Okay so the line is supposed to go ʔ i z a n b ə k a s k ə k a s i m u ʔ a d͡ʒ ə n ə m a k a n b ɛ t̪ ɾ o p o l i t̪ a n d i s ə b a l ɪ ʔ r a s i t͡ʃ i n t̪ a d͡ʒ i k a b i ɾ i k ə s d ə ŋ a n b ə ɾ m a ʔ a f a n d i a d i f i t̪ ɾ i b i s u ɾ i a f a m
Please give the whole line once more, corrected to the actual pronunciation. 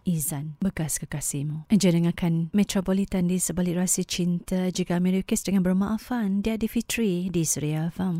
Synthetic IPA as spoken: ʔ i z a n b ə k a s k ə k a s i m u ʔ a d͡ʒ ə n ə ŋ a k a n m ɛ t̪ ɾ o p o l i t̪ a n d i s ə b a l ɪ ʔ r a s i t͡ʃ i n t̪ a d͡ʒ i k a m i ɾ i k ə s d ə ŋ a n b ə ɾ m a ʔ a f a n d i a d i f i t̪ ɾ i d i s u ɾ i a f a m